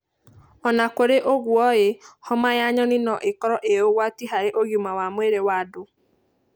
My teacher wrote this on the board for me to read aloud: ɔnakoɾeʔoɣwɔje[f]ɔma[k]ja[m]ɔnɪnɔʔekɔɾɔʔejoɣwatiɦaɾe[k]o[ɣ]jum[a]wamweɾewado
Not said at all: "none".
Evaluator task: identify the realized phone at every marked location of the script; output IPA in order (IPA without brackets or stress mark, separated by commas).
h, none, ɲ, ʔ, ɣ, a